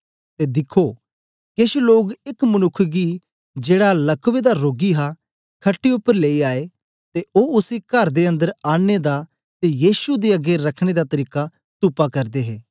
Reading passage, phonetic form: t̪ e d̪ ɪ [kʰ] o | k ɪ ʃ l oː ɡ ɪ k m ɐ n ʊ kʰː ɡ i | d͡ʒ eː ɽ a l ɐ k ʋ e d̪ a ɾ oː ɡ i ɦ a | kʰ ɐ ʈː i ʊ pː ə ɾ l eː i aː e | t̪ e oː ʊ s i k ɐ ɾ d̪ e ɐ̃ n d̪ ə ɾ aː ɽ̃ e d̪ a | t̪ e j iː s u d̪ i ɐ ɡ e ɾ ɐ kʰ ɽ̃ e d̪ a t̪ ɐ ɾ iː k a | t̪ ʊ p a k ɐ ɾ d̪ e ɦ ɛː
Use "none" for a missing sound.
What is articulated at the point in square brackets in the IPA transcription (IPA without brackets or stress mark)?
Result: kʰ